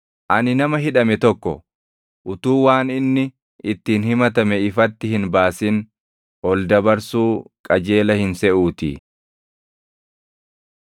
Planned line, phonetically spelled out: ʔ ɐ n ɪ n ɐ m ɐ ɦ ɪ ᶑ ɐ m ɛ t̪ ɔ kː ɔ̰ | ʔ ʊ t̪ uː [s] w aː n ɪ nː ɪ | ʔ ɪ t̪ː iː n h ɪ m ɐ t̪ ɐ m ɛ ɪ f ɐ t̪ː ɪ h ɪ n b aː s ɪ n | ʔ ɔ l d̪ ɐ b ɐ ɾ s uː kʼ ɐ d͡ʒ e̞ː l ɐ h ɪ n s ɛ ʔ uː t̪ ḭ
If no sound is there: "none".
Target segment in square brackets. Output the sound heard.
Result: none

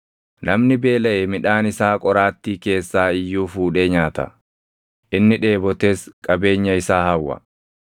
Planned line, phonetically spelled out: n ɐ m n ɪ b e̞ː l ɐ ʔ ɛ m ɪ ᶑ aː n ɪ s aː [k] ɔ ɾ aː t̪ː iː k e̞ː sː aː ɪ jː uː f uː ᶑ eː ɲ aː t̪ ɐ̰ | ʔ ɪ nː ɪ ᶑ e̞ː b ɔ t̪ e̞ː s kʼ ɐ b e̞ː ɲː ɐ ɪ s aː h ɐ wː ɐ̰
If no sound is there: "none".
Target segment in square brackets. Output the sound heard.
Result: kʼ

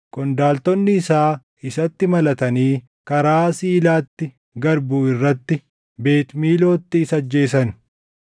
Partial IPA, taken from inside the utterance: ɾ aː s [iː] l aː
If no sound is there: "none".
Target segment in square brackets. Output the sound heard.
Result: iː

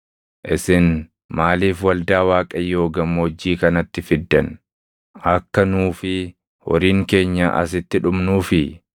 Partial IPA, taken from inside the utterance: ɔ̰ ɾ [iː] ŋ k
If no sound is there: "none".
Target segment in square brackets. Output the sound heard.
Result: iː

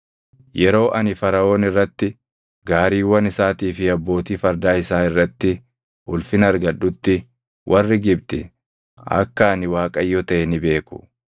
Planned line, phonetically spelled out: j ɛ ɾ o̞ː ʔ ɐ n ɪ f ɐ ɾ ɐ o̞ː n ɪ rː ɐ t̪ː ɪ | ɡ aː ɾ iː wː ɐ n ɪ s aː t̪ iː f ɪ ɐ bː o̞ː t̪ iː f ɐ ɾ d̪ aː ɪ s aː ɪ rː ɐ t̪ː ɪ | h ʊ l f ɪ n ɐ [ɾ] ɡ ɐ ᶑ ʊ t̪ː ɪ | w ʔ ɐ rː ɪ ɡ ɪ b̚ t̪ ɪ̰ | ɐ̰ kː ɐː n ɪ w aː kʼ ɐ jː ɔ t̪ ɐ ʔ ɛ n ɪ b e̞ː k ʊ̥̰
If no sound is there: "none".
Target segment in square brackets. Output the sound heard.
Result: ɾ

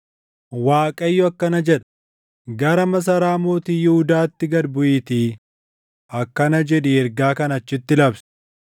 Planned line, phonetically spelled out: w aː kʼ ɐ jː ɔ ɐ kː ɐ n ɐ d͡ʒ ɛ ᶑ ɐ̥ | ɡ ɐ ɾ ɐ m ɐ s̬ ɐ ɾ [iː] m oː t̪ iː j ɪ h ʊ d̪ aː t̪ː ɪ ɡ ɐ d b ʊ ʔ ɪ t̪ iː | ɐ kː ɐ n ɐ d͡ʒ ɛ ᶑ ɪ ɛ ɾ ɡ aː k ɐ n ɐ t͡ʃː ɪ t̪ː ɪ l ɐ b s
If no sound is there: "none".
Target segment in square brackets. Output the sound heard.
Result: aː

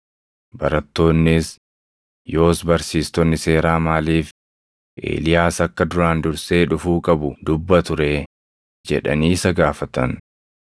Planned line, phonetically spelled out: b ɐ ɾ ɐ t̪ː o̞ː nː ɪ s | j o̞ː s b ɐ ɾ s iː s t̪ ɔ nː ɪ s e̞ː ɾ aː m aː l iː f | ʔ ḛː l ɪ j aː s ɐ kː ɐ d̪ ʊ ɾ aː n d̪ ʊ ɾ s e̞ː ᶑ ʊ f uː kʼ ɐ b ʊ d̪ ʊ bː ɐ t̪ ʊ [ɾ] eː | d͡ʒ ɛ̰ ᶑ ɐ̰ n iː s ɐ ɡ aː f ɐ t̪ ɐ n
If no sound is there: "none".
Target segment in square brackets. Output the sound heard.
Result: ɾ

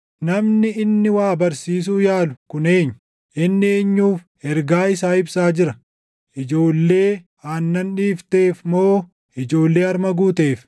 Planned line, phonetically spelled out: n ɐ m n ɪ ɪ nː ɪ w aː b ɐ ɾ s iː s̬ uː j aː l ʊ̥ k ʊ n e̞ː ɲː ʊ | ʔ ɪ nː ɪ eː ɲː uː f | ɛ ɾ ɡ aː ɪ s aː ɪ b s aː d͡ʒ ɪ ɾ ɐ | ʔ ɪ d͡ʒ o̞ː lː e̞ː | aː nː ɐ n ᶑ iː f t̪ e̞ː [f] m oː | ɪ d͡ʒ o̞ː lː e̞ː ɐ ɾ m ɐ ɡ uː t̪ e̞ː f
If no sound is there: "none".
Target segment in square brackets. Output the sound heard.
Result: f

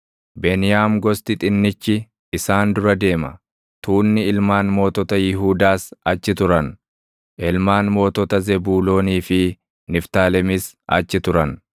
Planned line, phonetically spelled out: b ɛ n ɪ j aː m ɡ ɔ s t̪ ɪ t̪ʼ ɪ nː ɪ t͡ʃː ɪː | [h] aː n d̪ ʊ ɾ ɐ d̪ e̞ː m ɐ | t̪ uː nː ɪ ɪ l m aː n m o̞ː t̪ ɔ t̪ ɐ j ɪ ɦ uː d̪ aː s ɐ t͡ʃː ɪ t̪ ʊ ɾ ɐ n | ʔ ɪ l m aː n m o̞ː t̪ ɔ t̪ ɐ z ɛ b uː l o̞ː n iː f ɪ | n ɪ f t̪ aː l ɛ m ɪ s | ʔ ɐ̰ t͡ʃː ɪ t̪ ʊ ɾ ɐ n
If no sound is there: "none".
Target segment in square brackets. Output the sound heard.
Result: s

